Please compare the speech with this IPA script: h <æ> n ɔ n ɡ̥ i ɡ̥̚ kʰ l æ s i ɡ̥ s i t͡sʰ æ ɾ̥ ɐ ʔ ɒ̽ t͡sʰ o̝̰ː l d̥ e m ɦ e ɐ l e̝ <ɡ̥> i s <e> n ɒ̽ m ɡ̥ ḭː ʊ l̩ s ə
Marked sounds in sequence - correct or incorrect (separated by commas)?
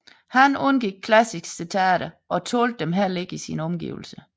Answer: correct, correct, incorrect